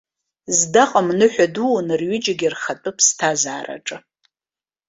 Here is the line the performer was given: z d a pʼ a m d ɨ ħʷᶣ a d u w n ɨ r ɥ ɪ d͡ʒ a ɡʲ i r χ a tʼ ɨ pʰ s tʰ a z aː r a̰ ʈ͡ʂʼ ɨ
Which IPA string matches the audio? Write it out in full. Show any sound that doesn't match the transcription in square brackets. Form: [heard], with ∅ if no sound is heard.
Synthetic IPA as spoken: z d a [qʼ] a m [n] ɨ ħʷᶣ a d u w n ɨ r ɥ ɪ d͡ʒ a ɡʲ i r χ a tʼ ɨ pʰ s tʰ a z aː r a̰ ʈ͡ʂʼ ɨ